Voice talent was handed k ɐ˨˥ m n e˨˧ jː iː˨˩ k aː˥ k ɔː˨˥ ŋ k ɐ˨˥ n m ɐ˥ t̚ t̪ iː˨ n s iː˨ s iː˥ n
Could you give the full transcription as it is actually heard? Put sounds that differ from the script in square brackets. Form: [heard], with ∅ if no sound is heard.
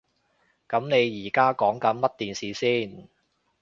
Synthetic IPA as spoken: k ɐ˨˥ m n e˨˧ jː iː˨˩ k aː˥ k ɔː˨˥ ŋ k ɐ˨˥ n m ɐ˥ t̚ t̪ iː˨ n s iː˨ s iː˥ n